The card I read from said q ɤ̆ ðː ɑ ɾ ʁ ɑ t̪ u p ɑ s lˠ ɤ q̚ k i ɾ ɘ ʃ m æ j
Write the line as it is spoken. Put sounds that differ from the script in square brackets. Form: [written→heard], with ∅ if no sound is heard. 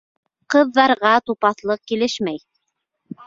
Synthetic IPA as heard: q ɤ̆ ðː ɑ ɾ ʁ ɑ t̪ u p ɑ [s→θ] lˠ ɤ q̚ k i [ɾ→l] ɘ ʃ m æ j